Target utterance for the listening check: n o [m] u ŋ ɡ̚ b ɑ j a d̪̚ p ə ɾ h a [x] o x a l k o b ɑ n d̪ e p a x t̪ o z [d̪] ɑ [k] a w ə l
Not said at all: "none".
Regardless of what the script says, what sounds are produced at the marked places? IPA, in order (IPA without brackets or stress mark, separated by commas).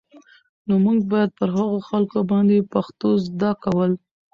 m, ɣ, d̪, k